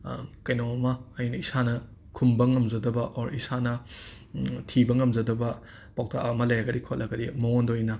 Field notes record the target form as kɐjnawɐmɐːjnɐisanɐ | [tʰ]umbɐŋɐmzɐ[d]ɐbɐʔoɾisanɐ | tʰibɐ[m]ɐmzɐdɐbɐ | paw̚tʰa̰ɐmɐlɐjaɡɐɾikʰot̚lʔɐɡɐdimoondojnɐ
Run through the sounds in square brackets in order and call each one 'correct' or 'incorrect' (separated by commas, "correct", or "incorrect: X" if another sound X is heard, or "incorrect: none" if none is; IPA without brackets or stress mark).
incorrect: kʰ, correct, incorrect: ŋ